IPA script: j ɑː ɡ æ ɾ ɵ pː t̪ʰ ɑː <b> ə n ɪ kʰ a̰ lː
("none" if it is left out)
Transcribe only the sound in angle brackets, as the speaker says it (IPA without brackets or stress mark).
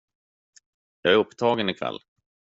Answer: ɡ